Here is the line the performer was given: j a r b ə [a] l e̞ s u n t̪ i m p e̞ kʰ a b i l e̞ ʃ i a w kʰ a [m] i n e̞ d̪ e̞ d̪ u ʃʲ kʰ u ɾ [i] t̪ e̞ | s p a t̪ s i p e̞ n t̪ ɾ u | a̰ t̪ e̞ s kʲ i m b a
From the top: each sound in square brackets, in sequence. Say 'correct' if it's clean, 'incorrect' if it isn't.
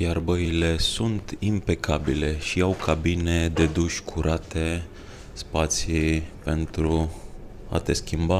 incorrect: i, incorrect: b, incorrect: a

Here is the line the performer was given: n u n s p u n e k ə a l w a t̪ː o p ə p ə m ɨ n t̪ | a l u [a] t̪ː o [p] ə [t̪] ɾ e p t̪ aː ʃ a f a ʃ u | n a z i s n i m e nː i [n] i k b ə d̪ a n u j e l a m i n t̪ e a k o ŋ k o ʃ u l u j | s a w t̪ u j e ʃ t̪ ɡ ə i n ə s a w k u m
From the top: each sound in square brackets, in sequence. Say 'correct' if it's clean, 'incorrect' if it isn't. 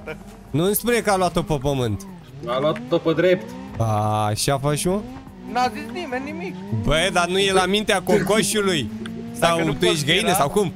correct, correct, incorrect: d̪, incorrect: m

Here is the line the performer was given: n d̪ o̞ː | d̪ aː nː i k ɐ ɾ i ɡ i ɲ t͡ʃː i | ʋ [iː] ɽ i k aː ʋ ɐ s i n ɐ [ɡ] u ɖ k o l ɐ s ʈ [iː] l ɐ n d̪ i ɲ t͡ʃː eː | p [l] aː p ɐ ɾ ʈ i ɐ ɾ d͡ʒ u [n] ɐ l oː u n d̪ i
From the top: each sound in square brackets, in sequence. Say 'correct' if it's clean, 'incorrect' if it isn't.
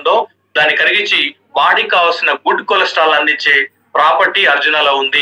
incorrect: aː, correct, incorrect: aː, incorrect: ɾ, correct

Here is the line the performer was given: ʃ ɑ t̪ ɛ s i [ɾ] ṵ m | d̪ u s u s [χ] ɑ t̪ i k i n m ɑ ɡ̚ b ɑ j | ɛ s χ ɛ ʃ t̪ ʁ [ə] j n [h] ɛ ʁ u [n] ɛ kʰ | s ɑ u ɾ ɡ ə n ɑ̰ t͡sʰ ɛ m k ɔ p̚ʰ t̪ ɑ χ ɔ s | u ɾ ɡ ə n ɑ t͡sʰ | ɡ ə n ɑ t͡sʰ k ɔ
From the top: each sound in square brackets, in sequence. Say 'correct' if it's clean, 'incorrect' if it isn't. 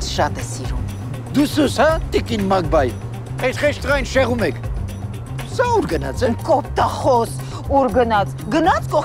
correct, incorrect: h, incorrect: ɑ, incorrect: ʃ, incorrect: m

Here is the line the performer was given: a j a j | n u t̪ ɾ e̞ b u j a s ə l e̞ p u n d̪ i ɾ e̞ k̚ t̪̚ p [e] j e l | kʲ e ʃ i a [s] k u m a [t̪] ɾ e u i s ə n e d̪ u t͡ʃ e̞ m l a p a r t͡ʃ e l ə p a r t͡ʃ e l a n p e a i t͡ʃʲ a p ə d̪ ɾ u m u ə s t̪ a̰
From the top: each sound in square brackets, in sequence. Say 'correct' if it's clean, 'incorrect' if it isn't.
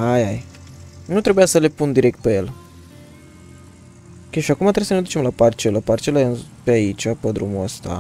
correct, incorrect: none, correct

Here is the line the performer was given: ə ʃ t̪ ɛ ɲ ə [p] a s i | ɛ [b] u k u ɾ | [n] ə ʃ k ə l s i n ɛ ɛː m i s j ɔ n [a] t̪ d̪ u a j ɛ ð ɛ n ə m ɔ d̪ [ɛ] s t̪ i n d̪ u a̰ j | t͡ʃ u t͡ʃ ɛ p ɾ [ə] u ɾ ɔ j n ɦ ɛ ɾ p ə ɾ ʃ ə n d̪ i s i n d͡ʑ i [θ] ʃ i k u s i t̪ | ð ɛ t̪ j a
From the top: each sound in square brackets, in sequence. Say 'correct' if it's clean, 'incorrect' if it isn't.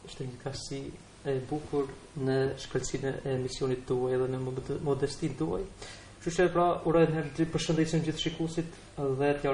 incorrect: k, correct, correct, incorrect: i, correct, incorrect: a, correct

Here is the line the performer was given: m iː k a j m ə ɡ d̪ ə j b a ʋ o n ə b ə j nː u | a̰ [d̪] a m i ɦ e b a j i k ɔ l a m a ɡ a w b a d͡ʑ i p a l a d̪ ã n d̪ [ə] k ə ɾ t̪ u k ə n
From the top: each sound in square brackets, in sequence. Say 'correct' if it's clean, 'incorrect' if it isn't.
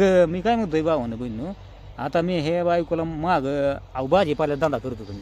incorrect: t̪, incorrect: a

